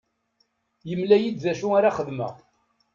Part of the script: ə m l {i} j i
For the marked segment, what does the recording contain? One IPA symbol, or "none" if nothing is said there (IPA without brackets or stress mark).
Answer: æ